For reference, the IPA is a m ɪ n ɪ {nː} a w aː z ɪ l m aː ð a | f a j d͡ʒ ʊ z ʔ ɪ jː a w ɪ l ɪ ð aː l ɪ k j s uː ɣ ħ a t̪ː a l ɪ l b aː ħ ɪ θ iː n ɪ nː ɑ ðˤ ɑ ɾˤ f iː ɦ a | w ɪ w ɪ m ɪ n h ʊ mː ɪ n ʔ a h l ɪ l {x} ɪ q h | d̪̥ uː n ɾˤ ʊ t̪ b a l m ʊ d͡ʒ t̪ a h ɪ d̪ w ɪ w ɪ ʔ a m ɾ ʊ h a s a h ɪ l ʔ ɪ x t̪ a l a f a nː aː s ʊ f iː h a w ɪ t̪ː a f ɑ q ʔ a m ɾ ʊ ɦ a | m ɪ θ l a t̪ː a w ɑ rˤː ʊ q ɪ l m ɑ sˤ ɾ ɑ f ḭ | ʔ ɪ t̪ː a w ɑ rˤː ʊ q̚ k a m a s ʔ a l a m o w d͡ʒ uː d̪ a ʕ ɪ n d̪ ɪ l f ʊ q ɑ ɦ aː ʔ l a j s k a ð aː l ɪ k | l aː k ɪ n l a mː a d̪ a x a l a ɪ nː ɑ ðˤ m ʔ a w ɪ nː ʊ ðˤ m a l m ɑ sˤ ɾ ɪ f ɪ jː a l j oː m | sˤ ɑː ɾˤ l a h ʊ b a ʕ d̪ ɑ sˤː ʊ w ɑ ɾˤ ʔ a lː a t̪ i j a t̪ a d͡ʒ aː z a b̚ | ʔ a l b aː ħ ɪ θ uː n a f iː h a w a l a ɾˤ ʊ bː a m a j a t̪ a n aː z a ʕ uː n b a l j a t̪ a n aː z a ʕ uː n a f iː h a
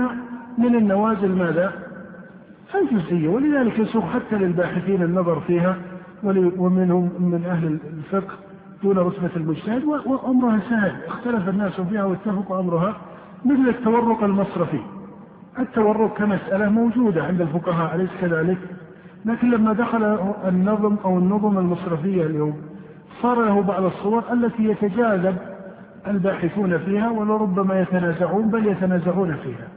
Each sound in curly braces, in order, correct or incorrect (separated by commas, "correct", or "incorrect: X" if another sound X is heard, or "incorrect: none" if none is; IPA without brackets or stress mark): correct, incorrect: f